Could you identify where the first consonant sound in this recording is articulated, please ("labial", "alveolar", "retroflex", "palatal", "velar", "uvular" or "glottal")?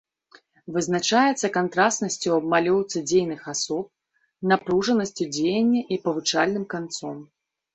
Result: labial